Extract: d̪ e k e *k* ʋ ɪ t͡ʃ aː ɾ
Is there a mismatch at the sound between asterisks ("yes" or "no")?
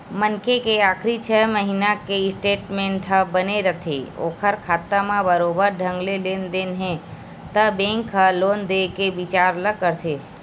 yes